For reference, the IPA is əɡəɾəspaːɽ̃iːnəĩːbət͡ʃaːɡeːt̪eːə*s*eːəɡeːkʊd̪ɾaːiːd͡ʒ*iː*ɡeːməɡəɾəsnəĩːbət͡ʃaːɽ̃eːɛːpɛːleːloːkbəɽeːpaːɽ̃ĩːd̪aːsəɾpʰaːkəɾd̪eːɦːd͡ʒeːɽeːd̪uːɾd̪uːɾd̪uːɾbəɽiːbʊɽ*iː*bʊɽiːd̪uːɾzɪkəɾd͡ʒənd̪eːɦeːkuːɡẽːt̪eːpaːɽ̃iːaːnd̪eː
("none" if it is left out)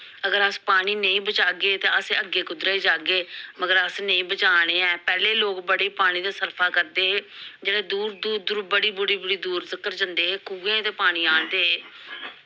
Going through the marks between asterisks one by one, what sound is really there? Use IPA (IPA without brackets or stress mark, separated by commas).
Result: s, aː, iː